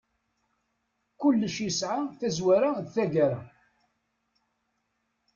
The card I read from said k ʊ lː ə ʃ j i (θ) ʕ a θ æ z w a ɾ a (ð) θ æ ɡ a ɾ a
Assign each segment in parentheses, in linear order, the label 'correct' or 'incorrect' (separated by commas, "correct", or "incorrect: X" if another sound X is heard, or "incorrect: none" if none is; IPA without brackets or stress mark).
incorrect: s, correct